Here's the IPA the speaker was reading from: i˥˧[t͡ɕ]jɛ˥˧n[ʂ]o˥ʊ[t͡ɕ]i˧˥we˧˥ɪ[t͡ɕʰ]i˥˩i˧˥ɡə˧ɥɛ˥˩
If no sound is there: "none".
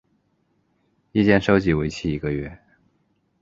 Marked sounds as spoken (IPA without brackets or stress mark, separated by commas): t͡ɕ, ʂ, t͡ɕ, t͡ɕʰ